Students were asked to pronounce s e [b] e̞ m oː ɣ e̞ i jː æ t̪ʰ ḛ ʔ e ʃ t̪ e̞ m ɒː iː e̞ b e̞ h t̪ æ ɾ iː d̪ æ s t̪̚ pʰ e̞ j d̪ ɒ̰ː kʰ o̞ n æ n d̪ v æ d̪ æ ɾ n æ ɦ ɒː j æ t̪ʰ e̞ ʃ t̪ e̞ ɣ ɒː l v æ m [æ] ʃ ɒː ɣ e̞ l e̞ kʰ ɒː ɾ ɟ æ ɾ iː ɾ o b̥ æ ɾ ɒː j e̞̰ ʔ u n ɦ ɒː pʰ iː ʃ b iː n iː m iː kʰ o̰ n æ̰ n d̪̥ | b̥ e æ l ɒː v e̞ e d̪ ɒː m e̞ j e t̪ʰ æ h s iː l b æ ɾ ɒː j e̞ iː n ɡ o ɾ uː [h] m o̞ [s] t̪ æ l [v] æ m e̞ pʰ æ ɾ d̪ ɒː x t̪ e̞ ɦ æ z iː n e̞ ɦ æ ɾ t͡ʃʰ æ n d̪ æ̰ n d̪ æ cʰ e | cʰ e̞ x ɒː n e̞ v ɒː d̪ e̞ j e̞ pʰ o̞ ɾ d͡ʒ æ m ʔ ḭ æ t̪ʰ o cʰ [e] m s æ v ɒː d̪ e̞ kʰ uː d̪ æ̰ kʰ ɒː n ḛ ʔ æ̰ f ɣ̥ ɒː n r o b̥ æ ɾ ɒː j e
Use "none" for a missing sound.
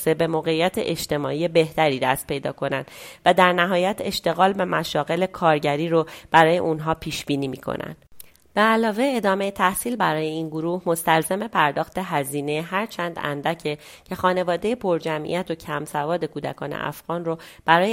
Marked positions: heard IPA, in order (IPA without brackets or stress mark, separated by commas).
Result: b, æ, h, s, z, æ